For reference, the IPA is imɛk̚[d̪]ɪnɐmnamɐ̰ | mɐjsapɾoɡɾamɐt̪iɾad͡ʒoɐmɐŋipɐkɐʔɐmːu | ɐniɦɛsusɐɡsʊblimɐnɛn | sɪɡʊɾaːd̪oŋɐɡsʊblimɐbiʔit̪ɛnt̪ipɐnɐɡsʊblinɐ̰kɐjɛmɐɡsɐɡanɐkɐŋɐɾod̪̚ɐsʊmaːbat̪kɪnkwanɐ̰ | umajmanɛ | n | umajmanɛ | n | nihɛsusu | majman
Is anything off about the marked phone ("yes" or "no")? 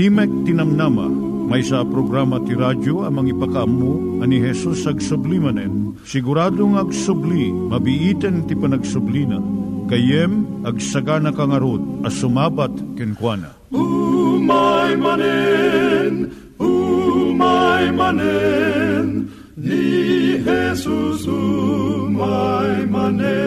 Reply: yes